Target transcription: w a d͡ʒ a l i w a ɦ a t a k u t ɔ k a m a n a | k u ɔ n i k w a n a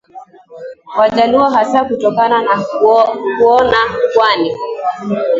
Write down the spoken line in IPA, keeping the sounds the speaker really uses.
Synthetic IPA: w a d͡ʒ a l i w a ɦ a s a k u t ɔ k a n a n a | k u ɔ n a k w a n i